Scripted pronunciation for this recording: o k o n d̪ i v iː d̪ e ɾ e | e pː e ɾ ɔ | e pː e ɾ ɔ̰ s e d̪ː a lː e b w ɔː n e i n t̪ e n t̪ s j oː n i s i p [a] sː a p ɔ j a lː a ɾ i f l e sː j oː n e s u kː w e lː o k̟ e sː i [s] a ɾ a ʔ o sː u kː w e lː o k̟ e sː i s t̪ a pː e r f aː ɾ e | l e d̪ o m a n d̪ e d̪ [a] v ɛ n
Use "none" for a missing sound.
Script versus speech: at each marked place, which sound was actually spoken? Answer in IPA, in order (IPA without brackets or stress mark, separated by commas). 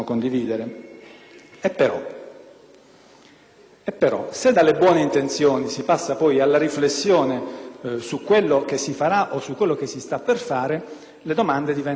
a, f, i